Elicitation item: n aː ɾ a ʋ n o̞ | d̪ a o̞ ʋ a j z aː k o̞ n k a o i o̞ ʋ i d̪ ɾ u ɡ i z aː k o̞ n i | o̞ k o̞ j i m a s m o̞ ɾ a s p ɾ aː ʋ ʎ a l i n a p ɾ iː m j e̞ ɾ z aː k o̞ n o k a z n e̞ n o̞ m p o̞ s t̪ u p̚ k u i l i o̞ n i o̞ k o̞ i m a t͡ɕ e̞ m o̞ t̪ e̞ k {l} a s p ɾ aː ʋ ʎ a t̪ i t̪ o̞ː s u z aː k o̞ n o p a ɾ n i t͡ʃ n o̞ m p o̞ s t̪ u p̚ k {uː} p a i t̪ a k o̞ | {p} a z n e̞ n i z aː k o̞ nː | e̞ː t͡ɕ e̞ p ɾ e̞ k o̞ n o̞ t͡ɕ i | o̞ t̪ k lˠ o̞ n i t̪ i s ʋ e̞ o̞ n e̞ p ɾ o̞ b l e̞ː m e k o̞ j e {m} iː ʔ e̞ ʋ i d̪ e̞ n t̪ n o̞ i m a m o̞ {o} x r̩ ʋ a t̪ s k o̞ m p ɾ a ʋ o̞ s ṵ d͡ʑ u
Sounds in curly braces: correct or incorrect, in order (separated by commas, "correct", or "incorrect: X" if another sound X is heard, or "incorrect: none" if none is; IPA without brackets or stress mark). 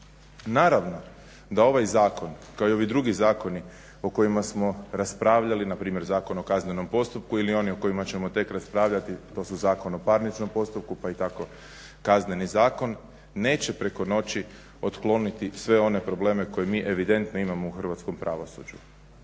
incorrect: ɾ, incorrect: u, incorrect: k, correct, incorrect: u